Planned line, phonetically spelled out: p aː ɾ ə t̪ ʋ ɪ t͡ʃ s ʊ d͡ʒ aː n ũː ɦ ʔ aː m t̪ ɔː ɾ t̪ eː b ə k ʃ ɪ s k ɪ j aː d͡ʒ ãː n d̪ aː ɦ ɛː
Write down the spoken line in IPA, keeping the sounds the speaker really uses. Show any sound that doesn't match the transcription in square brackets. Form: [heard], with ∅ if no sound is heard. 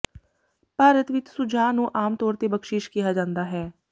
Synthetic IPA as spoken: p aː ɾ ə t̪ ʋ ɪ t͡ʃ s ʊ d͡ʒ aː n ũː [∅] ʔ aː m t̪ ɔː ɾ t̪ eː b ə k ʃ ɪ [ʃ] k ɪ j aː d͡ʒ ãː n d̪ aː ɦ ɛː

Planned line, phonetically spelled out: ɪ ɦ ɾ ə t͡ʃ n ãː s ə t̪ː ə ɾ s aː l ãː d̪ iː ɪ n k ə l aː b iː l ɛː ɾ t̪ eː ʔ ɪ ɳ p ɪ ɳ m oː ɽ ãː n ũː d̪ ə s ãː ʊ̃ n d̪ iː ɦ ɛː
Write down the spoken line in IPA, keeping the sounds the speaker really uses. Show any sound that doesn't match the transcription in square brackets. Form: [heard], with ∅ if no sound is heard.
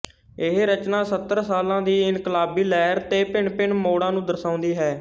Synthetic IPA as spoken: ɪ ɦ ɾ ə t͡ʃ n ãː s ə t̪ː ə ɾ s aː l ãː d̪ iː ɪ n k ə l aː b iː l ɛː ɾ t̪ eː [p] ɪ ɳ p ɪ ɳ m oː ɽ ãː n ũː d̪ ə s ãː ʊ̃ n d̪ iː ɦ ɛː

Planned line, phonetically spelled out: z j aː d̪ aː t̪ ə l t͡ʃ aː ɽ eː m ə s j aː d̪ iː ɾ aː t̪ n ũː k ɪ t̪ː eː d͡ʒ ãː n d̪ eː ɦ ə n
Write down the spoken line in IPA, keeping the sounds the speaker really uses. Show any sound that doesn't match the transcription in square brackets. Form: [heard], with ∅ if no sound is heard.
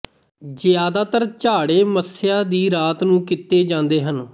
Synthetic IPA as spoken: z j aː d̪ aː t̪ ə [ɾ] t͡ʃ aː ɽ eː m ə s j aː d̪ iː ɾ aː t̪ n ũː k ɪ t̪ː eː d͡ʒ ãː n d̪ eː ɦ ə n

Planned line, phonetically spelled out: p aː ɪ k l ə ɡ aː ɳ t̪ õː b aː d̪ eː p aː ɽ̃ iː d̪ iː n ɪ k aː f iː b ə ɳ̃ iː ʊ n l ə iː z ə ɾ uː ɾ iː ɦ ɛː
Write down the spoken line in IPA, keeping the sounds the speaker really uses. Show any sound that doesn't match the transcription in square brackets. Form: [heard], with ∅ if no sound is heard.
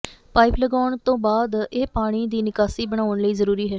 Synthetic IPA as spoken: p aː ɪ [p] l ə ɡ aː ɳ t̪ õː b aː d̪ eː p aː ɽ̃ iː d̪ iː n ɪ k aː [s] iː b ə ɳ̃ [aː] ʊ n l ə iː z ə ɾ uː ɾ iː ɦ ɛː

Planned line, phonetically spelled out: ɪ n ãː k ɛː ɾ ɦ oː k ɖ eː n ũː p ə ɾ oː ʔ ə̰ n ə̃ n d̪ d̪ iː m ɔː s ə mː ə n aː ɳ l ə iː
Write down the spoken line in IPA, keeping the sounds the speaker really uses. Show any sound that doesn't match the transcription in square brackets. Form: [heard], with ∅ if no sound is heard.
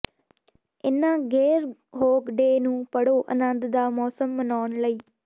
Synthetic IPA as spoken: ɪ n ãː [ɡ] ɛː ɾ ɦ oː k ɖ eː n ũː p ə [ɽ] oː ʔ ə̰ n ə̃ n d̪ d̪ [aː] m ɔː s ə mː ə n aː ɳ l ə iː

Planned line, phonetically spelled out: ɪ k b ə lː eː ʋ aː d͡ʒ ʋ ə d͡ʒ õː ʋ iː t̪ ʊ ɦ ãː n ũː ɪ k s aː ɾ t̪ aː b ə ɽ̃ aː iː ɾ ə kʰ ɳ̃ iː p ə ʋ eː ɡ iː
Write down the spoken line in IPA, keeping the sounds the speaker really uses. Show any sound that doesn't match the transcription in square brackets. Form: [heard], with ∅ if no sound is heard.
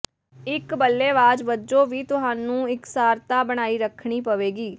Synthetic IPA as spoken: ɪ k b ə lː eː ʋ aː d͡ʒ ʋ ə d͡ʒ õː ʋ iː t̪ ʊ ɦ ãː n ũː ɪ k s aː ɾ t̪ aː b ə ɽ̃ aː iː ɾ ə kʰ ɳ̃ iː p ə ʋ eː ɡ iː

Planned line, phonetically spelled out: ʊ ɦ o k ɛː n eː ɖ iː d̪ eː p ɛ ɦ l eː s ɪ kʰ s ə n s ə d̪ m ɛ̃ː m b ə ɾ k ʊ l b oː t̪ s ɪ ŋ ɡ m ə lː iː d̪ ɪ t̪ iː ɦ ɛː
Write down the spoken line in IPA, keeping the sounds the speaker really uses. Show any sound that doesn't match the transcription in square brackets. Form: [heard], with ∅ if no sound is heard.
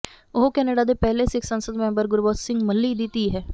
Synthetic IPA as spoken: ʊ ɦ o k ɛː n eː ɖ [aː] d̪ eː p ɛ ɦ l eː s ɪ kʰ s ə n s ə d̪ m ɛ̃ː m b ə ɾ [ɡ] ʊ [ɾ] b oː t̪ s ɪ ŋ ɡ m ə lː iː d̪ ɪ t̪ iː ɦ ɛː

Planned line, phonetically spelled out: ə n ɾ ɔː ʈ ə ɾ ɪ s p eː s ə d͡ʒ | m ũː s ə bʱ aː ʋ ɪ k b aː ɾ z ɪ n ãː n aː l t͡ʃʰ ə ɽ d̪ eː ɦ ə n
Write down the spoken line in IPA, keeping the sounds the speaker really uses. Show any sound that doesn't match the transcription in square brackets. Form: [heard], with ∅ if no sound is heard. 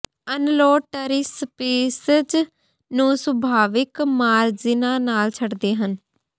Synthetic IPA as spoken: ə n [l] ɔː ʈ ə ɾ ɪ s p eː s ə d͡ʒ | [n] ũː s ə bʱ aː ʋ ɪ k [m] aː ɾ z ɪ n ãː n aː l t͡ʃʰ ə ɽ d̪ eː ɦ ə n

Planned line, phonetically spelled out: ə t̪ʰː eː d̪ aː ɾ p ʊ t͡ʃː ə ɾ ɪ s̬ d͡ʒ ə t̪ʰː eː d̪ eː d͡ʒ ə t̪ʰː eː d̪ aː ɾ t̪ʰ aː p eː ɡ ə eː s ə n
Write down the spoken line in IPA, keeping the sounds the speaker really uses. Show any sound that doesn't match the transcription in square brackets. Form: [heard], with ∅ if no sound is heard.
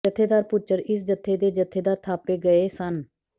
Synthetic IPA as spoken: ə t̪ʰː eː d̪ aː ɾ p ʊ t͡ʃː ə ɾ ɪ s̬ d͡ʒ ə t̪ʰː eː d̪ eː d͡ʒ ə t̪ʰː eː d̪ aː ɾ t̪ʰ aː p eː ɡ ə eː s ə n

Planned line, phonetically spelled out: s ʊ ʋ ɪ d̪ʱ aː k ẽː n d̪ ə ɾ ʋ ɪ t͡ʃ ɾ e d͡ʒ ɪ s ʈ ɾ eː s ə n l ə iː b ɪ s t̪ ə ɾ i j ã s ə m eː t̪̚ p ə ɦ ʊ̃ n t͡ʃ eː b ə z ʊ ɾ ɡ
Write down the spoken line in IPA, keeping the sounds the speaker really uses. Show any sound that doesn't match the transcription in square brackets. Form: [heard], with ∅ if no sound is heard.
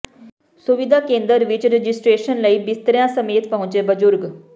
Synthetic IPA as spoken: s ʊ ʋ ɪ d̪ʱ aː k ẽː n d̪ ə ɾ ʋ ɪ t͡ʃ ɾ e d͡ʒ ɪ s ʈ ɾ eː [ʃ] ə n l ə iː b ɪ s t̪ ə ɾ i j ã s ə m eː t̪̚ p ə ɦ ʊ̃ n t͡ʃ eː b ə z ʊ ɾ ɡ

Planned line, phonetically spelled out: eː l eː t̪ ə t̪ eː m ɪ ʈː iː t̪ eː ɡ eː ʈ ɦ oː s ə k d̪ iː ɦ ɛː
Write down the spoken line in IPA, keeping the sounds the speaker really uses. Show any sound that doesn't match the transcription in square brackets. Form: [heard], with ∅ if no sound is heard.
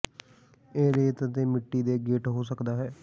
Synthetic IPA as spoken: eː [ɾ] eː t̪ ə t̪ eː m ɪ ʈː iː [d̪] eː ɡ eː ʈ ɦ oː s ə k d̪ [aː] ɦ ɛː

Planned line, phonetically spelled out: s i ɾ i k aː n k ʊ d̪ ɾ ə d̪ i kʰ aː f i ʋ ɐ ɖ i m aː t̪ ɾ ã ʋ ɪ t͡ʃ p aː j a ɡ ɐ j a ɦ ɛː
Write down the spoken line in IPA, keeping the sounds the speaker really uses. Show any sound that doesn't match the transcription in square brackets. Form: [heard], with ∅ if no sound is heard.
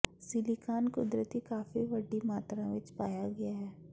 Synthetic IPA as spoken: s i [l] i k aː n k ʊ d̪ ɾ ə [t̪] i [k] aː f i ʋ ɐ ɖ i m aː t̪ ɾ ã ʋ ɪ t͡ʃ p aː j a ɡ ɐ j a ɦ ɛː

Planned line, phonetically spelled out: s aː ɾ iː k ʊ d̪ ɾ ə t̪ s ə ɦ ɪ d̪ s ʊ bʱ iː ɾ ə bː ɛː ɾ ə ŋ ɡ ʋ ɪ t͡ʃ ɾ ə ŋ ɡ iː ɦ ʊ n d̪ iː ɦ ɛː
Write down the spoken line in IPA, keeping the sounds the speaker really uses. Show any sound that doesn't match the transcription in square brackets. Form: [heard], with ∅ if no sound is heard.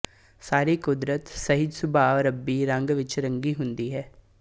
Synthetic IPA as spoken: s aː ɾ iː k ʊ d̪ ɾ ə t̪ s ə ɦ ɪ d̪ s ʊ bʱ [aː] ɾ ə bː [iː] ɾ ə ŋ ɡ ʋ ɪ t͡ʃ ɾ ə ŋ ɡ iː ɦ ʊ n d̪ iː ɦ ɛː

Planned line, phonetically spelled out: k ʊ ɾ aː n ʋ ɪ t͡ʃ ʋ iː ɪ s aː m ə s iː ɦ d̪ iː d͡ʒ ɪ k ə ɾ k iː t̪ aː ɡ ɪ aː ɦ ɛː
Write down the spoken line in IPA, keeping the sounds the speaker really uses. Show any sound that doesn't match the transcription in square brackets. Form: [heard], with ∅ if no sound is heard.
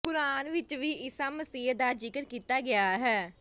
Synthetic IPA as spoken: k ʊ ɾ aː n ʋ ɪ t͡ʃ ʋ iː ɪ s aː m ə s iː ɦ d̪ [aː] d͡ʒ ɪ k ə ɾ k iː t̪ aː ɡ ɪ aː ɦ ɛː

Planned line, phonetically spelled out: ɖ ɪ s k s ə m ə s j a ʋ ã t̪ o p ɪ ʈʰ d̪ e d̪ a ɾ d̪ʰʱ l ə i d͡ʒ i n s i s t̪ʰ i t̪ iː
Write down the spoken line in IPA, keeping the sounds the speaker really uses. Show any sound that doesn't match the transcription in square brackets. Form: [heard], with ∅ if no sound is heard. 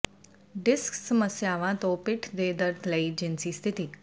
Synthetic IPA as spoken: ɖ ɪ s k s ə m ə s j a ʋ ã t̪ o p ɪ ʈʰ d̪ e d̪ [ə] ɾ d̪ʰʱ l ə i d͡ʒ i n s i s t̪ʰ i t̪ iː

